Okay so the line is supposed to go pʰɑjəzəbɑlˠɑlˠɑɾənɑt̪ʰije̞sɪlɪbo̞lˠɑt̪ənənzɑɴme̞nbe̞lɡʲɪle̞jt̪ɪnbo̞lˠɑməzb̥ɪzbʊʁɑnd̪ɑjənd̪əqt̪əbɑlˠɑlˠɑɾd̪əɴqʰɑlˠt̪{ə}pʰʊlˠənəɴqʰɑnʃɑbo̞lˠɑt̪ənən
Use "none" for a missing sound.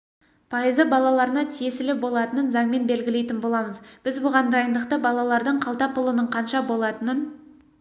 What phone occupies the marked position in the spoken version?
ɑ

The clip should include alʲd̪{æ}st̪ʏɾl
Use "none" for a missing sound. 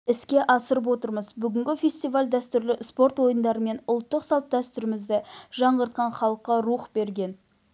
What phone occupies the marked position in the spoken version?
æ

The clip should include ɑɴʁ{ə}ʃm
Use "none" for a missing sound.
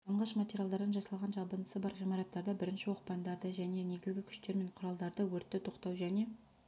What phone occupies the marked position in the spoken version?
ɑ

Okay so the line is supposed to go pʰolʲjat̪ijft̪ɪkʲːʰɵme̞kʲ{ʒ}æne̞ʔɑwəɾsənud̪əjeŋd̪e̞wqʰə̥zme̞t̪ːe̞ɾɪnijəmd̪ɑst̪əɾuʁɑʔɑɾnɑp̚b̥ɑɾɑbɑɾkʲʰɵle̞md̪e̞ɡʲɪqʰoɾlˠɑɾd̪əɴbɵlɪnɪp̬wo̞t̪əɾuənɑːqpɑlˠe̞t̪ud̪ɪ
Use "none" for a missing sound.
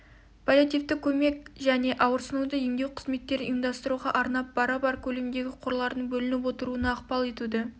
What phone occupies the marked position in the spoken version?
ʒ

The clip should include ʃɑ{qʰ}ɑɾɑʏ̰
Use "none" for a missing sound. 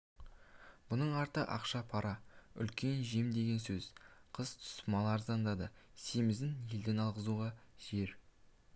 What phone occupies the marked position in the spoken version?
pʰ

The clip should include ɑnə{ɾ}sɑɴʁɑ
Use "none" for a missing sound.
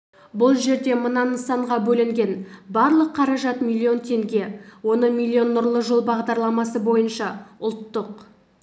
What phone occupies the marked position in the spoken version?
none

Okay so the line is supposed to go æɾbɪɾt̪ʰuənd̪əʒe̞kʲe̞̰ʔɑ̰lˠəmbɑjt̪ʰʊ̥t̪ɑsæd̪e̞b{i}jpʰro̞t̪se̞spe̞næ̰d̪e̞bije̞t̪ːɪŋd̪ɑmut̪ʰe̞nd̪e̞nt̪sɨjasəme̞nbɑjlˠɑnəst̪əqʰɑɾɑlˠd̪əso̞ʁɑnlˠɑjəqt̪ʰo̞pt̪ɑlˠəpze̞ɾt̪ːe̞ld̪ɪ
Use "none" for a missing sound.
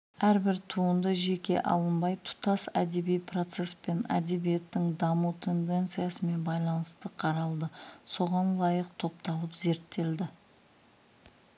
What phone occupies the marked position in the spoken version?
i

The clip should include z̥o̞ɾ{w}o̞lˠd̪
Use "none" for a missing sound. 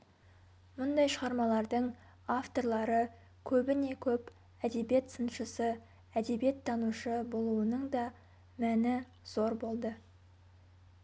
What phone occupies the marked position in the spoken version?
b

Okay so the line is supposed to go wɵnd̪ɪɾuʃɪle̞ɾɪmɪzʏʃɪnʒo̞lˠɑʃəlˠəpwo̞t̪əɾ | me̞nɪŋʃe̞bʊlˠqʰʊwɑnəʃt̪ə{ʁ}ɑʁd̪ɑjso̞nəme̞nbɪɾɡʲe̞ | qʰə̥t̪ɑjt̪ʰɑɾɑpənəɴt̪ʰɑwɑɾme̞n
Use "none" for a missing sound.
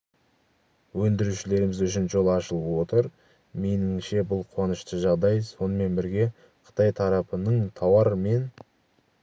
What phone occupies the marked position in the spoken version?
ʒ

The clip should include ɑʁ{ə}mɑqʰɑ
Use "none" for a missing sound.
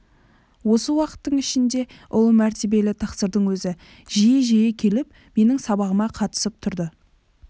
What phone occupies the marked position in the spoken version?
ə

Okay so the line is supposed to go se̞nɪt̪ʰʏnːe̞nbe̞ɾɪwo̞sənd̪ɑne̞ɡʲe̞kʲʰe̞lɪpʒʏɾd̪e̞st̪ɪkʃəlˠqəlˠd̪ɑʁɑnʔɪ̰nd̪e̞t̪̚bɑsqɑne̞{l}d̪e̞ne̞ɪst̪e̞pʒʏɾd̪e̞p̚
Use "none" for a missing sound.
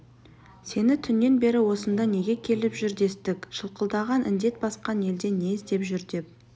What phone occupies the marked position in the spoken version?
l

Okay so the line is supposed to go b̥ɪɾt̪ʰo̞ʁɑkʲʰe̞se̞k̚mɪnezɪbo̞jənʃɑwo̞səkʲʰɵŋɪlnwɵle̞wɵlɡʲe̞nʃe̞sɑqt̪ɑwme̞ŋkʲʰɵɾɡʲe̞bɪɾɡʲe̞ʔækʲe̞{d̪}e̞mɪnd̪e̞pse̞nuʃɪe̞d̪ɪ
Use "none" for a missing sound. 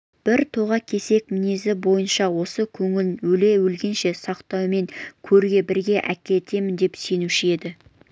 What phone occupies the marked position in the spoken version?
t̪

